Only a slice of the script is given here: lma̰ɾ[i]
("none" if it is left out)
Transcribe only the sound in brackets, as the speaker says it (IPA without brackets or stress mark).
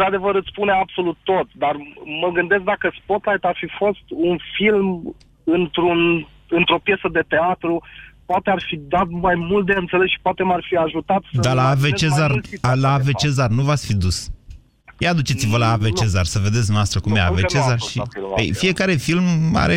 e